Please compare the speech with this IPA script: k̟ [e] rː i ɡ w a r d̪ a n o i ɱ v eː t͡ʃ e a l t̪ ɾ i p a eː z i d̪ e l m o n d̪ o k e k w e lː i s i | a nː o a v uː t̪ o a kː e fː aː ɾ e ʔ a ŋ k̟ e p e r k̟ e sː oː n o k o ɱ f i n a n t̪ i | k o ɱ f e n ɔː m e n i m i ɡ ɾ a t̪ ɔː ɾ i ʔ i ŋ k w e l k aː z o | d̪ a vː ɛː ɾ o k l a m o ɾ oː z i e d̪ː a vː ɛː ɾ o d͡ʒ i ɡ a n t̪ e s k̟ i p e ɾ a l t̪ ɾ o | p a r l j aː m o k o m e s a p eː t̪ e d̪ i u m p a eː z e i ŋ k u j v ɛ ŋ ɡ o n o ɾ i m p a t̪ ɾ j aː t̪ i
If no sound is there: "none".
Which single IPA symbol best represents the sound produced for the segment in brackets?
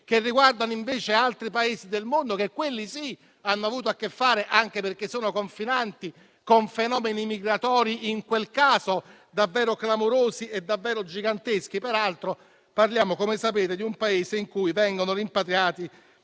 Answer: e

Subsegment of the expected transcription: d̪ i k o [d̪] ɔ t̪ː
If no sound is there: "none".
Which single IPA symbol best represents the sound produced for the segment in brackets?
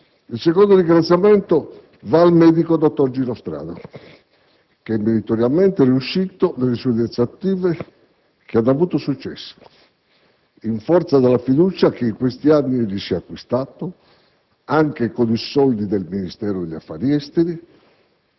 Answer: d̪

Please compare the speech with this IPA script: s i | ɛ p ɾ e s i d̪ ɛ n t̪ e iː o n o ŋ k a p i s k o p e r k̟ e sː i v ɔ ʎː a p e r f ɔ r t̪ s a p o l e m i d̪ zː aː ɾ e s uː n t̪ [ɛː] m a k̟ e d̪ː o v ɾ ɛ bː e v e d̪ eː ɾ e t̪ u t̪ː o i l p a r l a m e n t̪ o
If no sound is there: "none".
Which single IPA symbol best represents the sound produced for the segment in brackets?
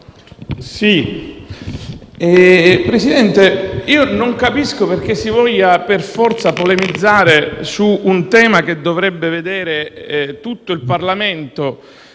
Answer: ɛː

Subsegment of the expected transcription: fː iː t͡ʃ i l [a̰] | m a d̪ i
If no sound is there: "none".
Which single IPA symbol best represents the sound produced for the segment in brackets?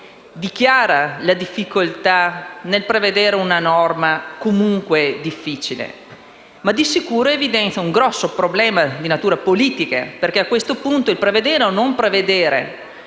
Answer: ḛ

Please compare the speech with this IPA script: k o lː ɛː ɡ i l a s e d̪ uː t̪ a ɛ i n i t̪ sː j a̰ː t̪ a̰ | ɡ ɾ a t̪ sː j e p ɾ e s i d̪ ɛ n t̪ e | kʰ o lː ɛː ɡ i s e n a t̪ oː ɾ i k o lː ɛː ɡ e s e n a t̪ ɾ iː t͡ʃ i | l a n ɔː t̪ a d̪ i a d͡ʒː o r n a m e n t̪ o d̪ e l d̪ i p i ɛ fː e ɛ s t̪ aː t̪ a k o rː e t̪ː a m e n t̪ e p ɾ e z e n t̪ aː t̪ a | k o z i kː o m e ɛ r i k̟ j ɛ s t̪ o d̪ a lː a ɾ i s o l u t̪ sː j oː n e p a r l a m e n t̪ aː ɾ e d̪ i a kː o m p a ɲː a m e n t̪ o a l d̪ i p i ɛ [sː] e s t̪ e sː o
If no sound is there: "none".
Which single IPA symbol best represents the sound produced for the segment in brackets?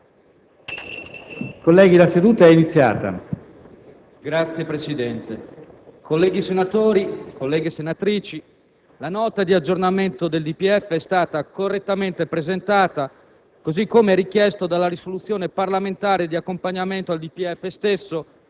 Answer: fː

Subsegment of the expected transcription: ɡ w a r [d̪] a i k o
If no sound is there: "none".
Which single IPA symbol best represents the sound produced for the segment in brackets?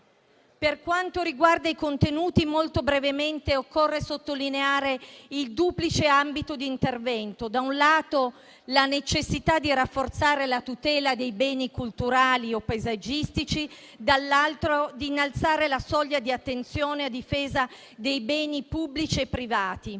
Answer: d̪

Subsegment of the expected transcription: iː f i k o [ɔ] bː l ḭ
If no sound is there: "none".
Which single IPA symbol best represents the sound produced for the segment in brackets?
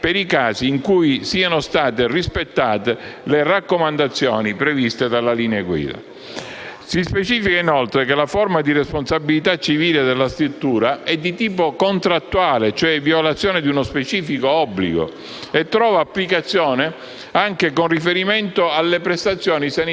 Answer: ɔ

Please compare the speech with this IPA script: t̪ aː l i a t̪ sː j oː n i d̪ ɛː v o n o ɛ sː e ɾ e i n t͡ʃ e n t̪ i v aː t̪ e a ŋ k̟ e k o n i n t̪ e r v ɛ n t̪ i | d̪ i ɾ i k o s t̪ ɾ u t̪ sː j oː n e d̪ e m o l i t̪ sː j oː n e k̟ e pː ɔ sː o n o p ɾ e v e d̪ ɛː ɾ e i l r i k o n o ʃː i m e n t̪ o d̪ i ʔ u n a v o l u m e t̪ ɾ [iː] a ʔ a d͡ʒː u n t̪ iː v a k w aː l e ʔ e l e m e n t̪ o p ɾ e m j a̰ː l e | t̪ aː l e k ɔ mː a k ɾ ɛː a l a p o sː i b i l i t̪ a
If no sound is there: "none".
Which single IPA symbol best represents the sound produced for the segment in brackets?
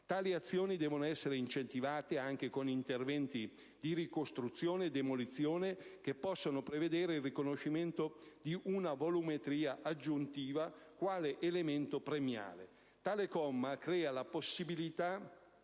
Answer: iː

